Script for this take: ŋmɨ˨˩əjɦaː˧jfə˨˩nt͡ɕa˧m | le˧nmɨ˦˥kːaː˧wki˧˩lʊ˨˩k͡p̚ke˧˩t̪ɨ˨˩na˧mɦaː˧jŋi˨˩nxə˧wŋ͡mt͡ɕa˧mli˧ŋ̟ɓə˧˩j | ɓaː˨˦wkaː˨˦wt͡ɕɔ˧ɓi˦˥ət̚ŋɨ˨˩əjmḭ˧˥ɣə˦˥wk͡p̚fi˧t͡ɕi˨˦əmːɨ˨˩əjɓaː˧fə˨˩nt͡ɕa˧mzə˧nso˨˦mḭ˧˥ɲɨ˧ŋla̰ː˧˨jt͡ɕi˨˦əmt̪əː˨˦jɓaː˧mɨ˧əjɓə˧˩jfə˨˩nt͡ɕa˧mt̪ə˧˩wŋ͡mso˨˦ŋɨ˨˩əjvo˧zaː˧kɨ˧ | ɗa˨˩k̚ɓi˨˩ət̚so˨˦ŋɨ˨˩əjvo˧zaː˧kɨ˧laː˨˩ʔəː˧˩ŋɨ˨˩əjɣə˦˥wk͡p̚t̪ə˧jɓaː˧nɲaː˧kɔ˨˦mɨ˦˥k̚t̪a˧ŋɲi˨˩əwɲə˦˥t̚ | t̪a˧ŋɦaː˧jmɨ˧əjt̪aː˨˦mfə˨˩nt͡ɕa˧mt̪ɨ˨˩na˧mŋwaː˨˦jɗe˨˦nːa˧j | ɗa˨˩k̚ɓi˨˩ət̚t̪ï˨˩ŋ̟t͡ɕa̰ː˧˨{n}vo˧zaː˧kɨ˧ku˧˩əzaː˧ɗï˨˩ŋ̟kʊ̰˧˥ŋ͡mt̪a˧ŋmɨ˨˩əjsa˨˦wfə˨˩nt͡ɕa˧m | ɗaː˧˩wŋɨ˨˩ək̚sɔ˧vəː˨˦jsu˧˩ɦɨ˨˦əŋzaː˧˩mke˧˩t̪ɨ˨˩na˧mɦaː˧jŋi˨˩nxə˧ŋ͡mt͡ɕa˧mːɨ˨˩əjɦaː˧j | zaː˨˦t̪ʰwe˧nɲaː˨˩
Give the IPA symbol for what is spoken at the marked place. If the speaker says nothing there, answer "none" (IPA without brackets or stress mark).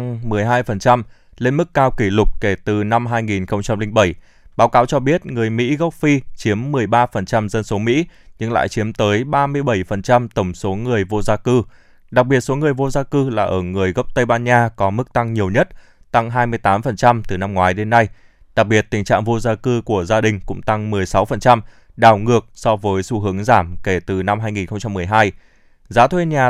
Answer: ŋ